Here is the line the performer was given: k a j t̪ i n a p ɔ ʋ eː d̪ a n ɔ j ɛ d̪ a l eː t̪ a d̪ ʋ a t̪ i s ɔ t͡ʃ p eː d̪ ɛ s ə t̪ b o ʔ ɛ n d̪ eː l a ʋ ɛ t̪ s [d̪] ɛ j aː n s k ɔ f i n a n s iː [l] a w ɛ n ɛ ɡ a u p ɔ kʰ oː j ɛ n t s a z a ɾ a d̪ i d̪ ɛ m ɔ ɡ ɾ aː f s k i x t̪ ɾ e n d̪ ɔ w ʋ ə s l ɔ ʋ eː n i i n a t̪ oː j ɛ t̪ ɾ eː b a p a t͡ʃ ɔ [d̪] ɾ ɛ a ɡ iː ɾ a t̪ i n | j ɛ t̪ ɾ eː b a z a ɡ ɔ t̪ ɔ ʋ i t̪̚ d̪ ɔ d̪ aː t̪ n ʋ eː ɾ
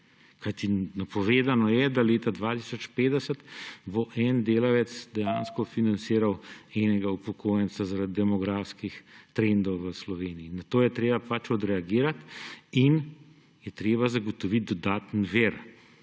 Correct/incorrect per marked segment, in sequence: correct, incorrect: ɾ, correct

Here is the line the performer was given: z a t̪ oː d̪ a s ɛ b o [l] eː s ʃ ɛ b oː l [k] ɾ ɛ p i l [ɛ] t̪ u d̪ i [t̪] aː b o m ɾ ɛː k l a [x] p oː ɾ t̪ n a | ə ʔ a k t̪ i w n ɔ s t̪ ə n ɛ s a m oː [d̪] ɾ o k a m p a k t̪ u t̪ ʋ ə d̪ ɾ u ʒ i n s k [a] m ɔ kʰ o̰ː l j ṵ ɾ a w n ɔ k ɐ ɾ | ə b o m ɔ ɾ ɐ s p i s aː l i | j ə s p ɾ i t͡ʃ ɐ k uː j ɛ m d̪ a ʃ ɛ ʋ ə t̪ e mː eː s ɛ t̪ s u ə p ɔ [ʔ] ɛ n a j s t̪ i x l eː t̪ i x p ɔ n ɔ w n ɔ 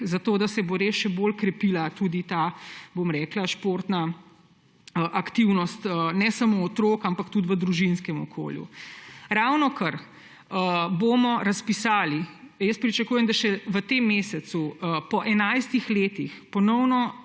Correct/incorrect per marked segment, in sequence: incorrect: ɾ, correct, incorrect: a, correct, incorrect: ʃ, incorrect: t̪, incorrect: ɛ, correct

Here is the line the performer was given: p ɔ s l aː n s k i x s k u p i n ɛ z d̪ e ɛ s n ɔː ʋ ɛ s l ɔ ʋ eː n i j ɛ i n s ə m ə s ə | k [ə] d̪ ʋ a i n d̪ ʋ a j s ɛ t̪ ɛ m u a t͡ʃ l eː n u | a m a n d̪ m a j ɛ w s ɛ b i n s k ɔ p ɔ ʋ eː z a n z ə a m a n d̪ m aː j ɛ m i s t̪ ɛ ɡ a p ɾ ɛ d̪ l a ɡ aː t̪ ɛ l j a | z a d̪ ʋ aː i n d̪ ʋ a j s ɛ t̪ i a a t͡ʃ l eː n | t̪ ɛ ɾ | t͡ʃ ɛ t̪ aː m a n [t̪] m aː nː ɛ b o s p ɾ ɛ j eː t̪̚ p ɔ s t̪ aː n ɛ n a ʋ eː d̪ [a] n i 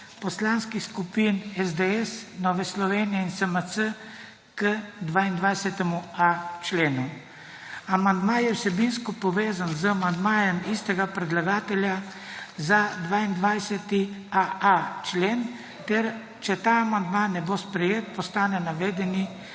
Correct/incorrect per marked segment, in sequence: correct, incorrect: d̪, incorrect: ɛ

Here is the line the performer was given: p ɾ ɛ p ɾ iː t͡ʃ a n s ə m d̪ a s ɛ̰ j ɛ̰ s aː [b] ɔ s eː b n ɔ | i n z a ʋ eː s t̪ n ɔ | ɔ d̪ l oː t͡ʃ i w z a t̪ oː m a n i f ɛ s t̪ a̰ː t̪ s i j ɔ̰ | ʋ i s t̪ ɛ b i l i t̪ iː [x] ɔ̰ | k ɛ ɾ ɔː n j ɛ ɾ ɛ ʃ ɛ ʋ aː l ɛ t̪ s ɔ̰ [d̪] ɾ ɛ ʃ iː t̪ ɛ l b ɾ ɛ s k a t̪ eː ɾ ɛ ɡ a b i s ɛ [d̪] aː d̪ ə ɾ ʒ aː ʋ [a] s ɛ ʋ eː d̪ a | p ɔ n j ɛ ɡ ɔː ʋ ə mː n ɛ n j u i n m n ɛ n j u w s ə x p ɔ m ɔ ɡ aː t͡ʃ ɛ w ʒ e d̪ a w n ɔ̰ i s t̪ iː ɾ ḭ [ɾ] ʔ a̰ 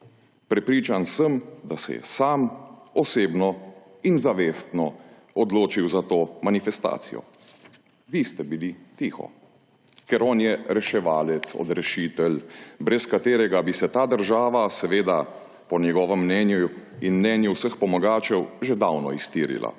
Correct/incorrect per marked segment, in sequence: incorrect: m, correct, correct, incorrect: t̪, correct, incorrect: l

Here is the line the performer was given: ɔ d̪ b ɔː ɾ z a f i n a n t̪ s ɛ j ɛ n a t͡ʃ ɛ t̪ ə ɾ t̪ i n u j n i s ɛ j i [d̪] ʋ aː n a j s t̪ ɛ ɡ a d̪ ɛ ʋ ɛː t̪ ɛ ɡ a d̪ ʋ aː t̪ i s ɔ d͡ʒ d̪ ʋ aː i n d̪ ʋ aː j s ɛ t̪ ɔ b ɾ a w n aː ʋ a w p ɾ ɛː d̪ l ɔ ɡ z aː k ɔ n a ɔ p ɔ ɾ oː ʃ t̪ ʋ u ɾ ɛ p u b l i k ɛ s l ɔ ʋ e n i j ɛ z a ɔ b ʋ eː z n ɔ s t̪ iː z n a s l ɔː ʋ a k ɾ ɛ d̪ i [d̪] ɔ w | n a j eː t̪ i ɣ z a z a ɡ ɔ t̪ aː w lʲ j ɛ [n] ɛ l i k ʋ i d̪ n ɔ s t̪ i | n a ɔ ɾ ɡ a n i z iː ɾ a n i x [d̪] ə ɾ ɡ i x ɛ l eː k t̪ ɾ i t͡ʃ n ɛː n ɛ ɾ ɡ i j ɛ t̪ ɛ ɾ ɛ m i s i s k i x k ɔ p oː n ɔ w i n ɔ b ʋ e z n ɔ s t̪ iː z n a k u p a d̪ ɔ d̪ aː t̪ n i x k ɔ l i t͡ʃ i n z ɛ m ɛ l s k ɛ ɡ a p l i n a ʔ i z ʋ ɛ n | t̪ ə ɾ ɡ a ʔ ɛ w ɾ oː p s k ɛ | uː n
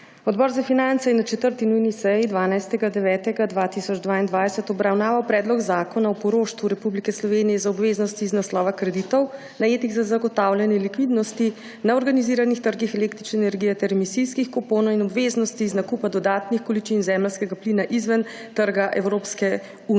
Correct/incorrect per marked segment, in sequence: correct, incorrect: t̪, correct, incorrect: t̪

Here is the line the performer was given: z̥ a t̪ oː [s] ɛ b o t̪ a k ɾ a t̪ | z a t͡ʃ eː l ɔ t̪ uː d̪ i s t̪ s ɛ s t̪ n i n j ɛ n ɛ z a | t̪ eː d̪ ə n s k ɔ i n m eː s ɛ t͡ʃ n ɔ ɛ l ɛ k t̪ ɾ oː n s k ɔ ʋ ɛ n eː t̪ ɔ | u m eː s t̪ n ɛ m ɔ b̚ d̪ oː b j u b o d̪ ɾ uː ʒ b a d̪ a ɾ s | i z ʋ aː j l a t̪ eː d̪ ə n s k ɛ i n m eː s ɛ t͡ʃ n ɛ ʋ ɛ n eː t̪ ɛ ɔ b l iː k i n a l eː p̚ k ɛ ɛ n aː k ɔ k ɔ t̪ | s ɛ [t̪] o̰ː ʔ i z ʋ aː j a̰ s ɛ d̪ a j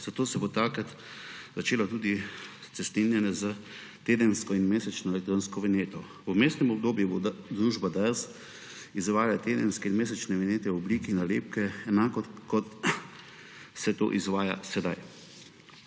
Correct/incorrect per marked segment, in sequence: correct, correct

